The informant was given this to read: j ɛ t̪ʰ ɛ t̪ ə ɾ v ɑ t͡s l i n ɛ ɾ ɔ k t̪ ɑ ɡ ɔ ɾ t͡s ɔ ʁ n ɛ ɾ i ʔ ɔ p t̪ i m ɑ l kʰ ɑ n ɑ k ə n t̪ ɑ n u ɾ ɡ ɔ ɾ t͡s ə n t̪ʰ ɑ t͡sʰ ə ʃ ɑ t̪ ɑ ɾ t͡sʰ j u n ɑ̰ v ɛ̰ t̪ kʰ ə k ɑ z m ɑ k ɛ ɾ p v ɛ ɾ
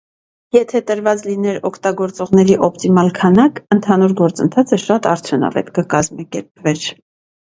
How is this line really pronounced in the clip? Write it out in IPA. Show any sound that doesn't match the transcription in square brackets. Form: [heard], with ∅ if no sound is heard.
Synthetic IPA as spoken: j ɛ t̪ʰ ɛ t̪ ə ɾ v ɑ t͡s l i n ɛ ɾ ɔ [kʰ] t̪ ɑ ɡ ɔ ɾ t͡s ɔ ʁ n ɛ ɾ i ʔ ɔ p t̪ i m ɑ l kʰ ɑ n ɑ k ə n [t̪ʰ] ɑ n u ɾ ɡ ɔ ɾ t͡s ə n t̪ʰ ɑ t͡sʰ ə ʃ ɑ t̪ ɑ ɾ t͡sʰ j u n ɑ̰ v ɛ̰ t̪ [k] ə k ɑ z m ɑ k ɛ ɾ p v ɛ ɾ